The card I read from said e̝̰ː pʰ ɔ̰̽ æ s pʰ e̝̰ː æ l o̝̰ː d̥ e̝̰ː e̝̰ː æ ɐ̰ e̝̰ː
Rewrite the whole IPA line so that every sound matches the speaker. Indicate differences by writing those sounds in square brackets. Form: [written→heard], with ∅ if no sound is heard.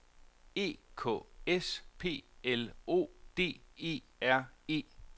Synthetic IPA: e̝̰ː [pʰ→kʰ] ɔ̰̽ [æ→e] s pʰ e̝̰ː [æ→e] l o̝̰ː d̥ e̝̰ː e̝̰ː æ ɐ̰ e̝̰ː